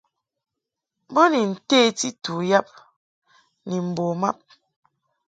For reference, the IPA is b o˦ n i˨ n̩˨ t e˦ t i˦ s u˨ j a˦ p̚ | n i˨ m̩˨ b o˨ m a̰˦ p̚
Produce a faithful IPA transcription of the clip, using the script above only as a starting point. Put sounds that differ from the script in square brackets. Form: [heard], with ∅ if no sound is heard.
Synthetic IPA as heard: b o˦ n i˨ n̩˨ t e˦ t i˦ [t] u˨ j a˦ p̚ | n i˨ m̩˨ b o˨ m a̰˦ p̚